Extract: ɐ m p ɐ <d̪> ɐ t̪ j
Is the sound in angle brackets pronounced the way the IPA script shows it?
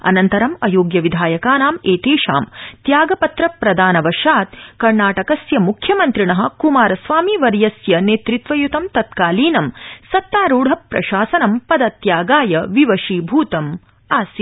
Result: yes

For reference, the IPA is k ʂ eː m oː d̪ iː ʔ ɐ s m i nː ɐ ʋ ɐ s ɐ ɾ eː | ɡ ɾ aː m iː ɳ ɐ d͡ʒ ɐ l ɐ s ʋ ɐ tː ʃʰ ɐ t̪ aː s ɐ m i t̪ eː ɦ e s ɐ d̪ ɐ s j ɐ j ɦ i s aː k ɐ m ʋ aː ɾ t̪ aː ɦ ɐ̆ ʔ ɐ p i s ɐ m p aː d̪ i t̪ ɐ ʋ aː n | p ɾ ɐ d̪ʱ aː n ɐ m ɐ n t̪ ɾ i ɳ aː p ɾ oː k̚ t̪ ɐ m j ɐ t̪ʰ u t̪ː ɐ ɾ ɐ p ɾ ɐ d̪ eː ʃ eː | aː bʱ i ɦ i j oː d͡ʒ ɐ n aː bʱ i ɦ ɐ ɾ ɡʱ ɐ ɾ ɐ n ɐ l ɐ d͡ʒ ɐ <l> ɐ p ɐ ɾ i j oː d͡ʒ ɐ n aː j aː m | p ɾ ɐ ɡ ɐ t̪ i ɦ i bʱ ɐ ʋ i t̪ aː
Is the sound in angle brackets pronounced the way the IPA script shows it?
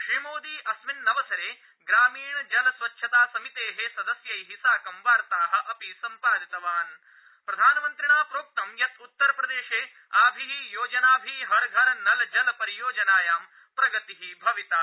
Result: yes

